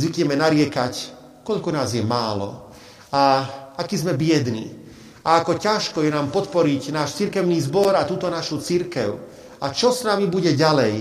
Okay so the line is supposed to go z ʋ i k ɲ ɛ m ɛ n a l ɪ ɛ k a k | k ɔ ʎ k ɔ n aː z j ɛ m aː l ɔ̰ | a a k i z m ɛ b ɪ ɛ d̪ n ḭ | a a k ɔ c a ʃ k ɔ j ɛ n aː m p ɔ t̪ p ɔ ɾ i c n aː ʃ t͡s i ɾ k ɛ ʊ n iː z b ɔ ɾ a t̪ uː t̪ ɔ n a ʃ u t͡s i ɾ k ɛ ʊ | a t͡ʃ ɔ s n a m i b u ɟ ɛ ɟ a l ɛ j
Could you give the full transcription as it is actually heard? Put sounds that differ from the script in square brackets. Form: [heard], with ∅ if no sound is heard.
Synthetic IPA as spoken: z ʋ i k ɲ ɛ m ɛ n a [ɾ] ɪ ɛ k a [c] | k ɔ ʎ k ɔ n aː z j ɛ m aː l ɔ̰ | a a k i z m ɛ b ɪ ɛ d̪ n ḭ | a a k ɔ c a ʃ k ɔ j ɛ n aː m p ɔ t̪ p ɔ ɾ i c n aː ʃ t͡s i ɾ k ɛ ʊ n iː z b ɔ ɾ a t̪ uː t̪ ɔ n a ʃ u t͡s i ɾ k ɛ ʊ | a t͡ʃ ɔ s n a m i b u ɟ ɛ ɟ a l ɛ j